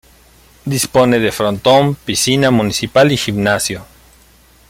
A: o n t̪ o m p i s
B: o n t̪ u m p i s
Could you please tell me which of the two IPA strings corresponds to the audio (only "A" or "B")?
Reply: A